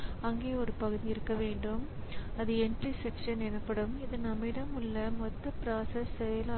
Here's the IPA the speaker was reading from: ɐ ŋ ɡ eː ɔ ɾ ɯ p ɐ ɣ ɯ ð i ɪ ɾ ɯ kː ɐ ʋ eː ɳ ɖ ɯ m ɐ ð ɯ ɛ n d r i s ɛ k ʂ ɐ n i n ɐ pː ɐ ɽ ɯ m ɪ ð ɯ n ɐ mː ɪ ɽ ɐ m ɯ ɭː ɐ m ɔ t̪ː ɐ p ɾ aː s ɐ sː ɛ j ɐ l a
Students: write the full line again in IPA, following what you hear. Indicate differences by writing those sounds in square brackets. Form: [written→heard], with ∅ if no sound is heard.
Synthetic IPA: ɐ ŋ ɡ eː ɔ ɾ ɯ p ɐ ɣ ɯ ð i ɪ ɾ ɯ kː ɐ ʋ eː ɳ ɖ ɯ m ɐ ð ɯ ɛ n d r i s ɛ k ʂ ɐ n [i→ɛ] n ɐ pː ɐ ɽ ɯ m ɪ ð ɯ n ɐ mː ɪ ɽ ɐ m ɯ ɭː ɐ m ɔ t̪ː ɐ p ɾ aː s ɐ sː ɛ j ɐ l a